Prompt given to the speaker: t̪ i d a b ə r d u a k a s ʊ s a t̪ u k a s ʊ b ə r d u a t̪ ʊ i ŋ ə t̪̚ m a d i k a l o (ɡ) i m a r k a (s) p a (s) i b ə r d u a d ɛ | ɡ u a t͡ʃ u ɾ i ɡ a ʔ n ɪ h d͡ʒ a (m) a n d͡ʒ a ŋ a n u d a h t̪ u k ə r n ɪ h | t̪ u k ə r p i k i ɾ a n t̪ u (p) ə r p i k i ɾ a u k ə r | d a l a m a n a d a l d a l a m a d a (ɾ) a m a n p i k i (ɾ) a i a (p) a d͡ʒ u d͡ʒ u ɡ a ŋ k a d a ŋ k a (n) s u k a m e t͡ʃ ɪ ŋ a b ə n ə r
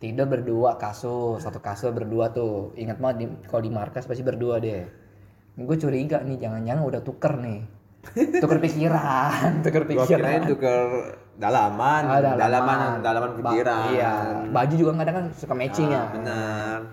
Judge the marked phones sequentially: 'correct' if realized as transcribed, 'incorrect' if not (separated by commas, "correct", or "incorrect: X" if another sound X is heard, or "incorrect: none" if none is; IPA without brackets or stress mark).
incorrect: d, correct, correct, incorrect: ŋ, incorrect: k, incorrect: l, correct, incorrect: b, correct